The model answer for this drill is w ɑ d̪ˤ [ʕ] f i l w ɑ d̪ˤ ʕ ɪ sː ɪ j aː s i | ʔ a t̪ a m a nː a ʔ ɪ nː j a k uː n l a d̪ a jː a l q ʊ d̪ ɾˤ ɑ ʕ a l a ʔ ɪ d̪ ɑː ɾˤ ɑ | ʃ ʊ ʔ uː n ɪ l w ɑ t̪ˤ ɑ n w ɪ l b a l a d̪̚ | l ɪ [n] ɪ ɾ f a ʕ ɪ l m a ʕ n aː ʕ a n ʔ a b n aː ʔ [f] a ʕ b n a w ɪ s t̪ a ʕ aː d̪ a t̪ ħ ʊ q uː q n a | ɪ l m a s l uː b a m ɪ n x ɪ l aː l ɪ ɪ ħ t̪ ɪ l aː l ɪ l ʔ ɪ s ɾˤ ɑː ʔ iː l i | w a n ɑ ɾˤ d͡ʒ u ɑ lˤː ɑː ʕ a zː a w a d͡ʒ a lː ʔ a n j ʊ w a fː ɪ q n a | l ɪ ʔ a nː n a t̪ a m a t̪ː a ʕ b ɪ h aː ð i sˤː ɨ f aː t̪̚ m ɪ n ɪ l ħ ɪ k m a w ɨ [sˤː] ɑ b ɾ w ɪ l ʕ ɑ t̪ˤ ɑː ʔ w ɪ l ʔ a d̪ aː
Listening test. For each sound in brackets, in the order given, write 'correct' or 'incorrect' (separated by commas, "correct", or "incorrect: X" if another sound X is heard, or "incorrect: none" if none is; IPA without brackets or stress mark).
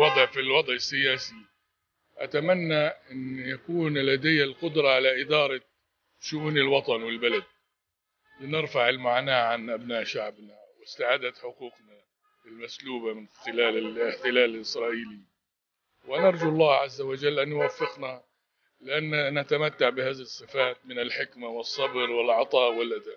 correct, correct, incorrect: ʃ, correct